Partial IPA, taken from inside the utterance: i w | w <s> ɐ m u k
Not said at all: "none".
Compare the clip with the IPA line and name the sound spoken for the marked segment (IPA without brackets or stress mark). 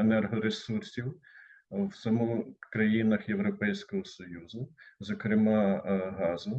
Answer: s